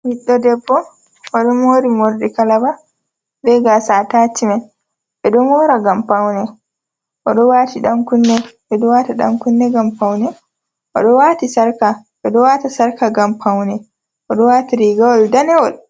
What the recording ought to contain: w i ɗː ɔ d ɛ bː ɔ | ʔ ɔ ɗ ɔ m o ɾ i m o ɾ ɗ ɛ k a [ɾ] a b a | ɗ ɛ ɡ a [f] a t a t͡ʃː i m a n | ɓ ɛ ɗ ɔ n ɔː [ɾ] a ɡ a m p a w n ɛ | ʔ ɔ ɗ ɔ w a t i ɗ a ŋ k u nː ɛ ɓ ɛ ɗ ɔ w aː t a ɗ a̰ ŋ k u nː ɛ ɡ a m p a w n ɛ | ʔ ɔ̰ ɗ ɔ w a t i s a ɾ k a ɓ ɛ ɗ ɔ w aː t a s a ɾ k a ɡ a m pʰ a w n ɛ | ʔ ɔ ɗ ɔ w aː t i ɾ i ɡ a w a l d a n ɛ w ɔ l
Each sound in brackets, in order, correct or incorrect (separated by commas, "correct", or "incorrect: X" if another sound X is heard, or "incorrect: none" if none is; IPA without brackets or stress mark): incorrect: l, incorrect: s, correct